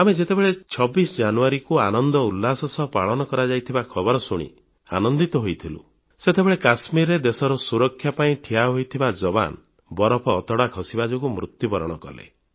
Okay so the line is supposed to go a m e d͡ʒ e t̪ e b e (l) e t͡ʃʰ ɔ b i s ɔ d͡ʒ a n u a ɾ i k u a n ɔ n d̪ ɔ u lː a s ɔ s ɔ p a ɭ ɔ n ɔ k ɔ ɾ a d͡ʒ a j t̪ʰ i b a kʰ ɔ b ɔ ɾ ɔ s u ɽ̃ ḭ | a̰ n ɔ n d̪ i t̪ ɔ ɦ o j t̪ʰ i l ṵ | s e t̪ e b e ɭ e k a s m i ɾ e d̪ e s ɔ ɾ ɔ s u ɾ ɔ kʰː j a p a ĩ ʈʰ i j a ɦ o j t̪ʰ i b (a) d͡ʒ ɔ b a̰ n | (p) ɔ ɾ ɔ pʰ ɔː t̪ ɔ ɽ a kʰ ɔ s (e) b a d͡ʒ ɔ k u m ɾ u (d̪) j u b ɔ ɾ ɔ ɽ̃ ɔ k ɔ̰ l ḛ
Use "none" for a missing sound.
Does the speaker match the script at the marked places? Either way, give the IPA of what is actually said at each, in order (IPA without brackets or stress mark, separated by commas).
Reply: ɭ, a, b, i, t̪